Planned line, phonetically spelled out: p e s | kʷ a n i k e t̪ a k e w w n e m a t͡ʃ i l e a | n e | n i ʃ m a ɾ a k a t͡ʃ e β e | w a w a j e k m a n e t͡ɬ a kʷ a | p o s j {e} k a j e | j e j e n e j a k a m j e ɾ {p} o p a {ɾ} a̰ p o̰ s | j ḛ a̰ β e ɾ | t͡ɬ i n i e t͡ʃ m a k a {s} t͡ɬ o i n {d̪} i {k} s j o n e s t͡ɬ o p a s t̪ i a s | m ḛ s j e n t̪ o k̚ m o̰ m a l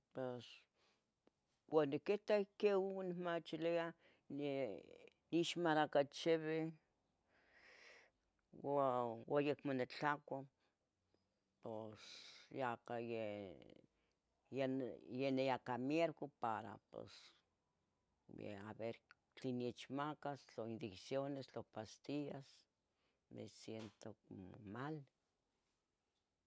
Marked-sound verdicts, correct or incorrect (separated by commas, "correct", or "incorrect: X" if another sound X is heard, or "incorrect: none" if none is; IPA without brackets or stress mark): incorrect: a, incorrect: k, correct, correct, correct, correct